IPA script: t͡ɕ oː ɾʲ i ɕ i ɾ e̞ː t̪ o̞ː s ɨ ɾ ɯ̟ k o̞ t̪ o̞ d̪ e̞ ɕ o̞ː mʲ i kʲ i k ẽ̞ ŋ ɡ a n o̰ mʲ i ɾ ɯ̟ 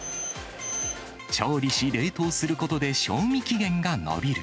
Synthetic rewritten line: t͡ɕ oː ɾʲ i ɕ i ɾ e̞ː t̪ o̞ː s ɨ ɾ ɯ̟ k o̞ t̪ o̞ d̪ e̞ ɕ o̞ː mʲ i kʲ i ɡ ẽ̞ ŋ ɡ a n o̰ bʲ i ɾ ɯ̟